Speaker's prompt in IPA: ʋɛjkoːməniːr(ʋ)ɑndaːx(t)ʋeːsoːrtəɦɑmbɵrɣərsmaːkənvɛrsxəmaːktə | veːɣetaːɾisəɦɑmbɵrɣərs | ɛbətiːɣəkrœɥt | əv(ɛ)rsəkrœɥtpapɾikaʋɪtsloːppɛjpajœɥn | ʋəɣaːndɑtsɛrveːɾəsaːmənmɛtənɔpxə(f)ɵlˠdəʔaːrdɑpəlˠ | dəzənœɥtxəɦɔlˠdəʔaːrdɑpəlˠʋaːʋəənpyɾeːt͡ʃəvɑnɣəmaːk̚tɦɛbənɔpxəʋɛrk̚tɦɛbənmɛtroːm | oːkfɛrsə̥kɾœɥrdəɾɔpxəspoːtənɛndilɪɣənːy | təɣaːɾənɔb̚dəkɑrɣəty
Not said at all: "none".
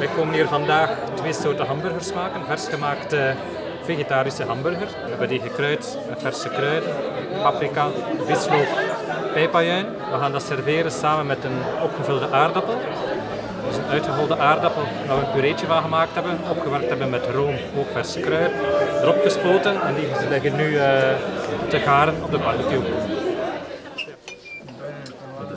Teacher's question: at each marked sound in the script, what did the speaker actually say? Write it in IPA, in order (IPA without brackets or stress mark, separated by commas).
v, t, ɛ, v